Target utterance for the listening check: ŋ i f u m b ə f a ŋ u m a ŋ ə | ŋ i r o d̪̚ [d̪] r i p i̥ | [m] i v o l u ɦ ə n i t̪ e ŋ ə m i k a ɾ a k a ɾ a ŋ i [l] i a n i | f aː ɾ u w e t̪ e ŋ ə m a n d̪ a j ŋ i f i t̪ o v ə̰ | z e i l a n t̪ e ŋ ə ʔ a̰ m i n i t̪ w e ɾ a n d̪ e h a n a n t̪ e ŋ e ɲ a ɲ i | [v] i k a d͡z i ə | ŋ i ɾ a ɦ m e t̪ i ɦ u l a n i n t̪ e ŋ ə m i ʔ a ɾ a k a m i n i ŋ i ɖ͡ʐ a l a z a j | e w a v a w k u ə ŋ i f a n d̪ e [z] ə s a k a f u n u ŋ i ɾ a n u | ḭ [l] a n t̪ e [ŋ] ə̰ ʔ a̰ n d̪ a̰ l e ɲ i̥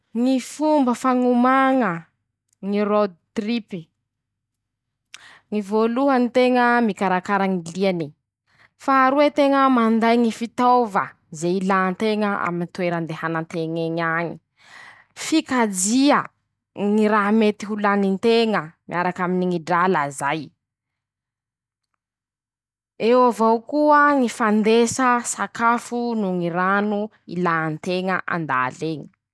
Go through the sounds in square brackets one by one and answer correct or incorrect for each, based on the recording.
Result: incorrect: t̪, incorrect: ŋ, correct, incorrect: f, incorrect: s, correct, correct

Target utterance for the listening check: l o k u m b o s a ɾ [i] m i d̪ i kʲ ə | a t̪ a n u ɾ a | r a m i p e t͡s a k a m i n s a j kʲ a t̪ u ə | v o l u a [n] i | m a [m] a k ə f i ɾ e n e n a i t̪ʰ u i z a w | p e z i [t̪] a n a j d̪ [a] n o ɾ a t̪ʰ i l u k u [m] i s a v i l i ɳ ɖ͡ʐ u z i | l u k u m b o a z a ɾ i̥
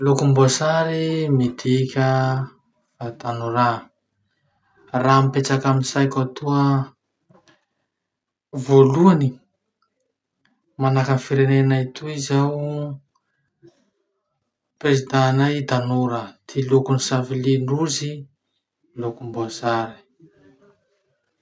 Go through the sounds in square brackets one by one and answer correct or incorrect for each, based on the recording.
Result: correct, correct, incorrect: n, incorrect: d̪, correct, incorrect: n

